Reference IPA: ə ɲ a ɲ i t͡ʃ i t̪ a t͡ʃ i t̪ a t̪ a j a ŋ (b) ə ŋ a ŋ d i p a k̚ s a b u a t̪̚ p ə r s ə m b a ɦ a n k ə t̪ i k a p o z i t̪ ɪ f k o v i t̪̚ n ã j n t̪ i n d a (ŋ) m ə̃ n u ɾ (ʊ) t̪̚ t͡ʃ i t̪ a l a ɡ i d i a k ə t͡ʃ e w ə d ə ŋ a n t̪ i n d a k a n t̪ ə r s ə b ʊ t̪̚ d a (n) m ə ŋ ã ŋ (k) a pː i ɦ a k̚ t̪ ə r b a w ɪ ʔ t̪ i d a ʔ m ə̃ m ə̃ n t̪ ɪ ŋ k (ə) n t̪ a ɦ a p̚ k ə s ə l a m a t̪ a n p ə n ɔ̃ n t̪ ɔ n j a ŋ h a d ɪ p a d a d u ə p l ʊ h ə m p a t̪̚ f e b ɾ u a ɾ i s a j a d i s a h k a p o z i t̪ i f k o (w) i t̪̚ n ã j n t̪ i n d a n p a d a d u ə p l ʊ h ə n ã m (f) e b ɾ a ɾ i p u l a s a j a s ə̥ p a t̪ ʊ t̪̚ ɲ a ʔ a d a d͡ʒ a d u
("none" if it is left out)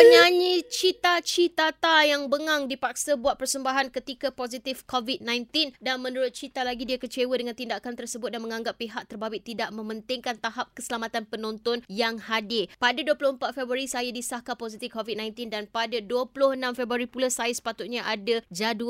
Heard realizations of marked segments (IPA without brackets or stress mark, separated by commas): b, n, ʊ, n, ɡ, a, v, f